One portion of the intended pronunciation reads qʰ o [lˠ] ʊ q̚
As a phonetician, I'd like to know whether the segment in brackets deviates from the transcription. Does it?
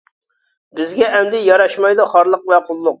yes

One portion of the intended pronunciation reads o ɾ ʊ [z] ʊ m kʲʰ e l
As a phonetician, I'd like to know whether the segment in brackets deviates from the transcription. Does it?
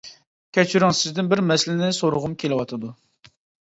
yes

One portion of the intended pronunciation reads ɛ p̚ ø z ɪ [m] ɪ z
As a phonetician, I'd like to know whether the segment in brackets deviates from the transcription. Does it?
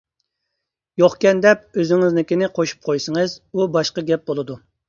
yes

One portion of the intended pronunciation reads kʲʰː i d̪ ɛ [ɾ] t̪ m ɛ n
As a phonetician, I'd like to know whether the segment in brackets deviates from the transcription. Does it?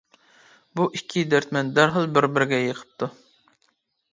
no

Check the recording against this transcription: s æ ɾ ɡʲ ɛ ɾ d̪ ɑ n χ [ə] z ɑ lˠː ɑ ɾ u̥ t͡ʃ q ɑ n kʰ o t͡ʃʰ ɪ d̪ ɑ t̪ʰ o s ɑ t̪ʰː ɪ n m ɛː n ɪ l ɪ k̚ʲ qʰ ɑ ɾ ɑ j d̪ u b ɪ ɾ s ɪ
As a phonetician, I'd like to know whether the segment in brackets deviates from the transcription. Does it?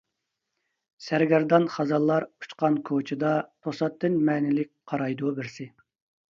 yes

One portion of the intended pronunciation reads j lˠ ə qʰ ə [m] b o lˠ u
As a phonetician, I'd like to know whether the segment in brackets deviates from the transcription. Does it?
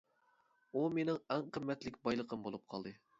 no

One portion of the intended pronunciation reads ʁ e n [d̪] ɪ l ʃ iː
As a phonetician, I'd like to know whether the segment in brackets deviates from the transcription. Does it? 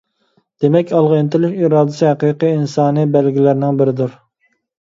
yes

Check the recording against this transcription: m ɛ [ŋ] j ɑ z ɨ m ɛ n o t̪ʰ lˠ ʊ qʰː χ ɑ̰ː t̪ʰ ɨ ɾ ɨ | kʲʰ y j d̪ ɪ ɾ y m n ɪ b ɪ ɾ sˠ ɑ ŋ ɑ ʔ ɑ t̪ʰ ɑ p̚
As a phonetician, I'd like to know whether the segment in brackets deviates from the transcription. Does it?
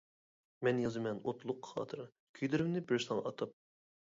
yes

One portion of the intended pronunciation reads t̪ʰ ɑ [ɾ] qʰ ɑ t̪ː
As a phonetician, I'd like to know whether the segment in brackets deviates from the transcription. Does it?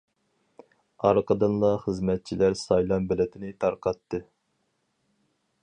no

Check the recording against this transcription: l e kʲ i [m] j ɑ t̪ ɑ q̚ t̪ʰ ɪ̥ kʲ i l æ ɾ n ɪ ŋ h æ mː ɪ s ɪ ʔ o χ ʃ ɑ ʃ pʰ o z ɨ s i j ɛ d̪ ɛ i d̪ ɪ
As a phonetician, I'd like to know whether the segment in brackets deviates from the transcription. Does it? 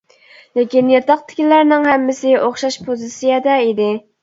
yes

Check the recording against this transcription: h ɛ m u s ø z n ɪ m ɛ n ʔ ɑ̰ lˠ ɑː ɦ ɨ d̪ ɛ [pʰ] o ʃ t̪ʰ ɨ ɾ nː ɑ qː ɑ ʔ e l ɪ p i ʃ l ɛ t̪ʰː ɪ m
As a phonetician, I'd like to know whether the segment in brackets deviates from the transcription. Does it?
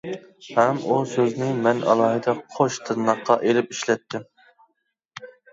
yes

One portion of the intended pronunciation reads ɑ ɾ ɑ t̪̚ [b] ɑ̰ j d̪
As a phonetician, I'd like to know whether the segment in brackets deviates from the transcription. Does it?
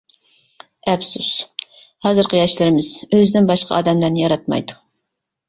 yes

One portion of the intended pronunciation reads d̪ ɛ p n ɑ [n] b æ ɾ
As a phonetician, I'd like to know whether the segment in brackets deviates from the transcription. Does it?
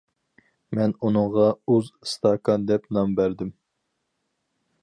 yes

